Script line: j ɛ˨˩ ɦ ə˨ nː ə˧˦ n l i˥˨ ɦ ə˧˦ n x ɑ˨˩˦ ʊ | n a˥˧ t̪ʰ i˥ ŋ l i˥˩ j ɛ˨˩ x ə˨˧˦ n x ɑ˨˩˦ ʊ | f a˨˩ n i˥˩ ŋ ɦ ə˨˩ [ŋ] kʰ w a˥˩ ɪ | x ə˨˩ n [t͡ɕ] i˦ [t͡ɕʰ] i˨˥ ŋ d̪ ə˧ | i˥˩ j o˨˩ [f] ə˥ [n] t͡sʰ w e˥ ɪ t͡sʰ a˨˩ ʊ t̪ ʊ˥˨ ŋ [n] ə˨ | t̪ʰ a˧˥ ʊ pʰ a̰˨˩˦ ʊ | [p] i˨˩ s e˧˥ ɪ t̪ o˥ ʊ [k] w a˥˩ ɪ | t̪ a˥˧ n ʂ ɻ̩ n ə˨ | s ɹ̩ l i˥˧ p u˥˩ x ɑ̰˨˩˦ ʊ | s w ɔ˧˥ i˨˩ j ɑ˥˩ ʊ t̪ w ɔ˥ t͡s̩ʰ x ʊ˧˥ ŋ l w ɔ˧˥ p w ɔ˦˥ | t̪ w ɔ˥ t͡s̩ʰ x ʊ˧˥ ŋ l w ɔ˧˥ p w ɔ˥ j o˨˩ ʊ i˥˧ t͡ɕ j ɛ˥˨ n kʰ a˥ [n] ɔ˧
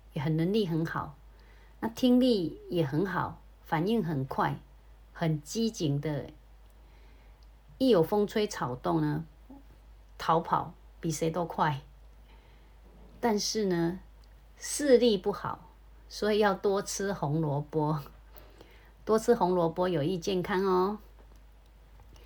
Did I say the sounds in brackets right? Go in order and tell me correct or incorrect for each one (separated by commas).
incorrect, correct, incorrect, correct, incorrect, correct, correct, incorrect, incorrect